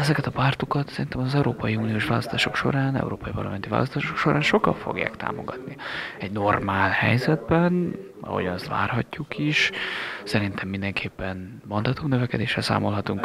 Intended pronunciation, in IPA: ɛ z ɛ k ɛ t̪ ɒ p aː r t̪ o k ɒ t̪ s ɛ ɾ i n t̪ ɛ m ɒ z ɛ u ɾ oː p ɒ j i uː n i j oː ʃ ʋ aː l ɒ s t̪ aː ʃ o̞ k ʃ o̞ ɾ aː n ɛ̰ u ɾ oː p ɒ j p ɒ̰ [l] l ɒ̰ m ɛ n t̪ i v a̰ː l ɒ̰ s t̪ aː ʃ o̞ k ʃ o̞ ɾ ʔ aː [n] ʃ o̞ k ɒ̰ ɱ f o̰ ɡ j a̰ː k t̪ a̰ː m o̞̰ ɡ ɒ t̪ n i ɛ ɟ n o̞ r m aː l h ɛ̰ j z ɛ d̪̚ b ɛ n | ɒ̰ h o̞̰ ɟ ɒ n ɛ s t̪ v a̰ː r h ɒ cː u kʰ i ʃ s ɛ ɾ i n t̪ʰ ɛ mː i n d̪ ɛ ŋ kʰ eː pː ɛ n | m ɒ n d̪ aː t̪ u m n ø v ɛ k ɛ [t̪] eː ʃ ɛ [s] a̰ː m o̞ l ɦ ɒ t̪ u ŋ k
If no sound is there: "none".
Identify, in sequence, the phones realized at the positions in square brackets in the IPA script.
r, n, d̪, s

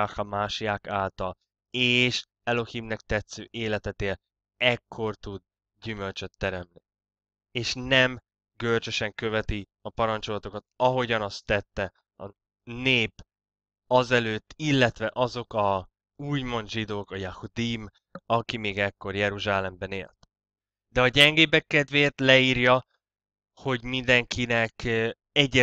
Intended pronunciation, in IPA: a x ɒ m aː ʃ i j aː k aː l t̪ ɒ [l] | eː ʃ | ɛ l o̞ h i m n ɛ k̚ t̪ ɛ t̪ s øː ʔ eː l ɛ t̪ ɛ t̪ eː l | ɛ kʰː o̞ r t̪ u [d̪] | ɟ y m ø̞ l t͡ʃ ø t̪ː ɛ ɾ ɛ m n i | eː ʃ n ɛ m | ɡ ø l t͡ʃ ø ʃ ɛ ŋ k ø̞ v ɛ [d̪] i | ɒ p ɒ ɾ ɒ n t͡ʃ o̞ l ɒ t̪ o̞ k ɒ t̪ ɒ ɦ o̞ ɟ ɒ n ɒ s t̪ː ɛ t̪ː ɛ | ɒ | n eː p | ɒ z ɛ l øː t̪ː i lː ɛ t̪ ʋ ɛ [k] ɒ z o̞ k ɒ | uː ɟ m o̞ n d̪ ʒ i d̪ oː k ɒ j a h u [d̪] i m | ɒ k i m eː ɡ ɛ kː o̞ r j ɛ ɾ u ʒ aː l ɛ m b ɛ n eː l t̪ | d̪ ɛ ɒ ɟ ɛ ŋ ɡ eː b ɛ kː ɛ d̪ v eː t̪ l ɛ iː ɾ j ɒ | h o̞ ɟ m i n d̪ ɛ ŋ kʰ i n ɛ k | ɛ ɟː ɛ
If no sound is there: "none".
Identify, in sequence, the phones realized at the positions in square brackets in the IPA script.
l, d̪, t̪, ʔ, d̪

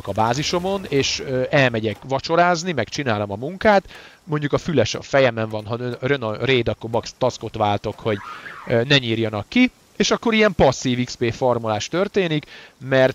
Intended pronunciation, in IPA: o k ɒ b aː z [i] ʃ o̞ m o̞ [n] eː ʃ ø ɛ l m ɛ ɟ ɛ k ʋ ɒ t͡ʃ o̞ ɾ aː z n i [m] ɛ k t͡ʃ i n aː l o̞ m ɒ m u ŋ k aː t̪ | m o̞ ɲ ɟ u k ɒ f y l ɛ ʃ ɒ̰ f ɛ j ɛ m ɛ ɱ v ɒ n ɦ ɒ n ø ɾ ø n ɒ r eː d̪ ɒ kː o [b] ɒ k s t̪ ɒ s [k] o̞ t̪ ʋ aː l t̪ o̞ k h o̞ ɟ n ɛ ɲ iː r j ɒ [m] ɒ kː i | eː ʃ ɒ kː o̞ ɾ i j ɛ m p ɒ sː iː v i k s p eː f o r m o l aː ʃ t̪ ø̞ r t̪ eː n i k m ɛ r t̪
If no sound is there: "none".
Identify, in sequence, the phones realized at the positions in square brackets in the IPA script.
i, n, m, b, k, n

